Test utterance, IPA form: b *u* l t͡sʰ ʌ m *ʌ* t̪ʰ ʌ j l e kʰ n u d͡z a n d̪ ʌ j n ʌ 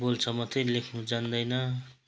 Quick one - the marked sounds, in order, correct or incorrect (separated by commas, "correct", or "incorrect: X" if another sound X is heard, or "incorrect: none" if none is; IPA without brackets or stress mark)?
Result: incorrect: o, correct